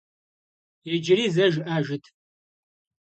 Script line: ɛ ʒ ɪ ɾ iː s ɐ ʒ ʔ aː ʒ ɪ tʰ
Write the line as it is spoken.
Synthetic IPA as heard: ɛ d͡ʒ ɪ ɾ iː z ɐ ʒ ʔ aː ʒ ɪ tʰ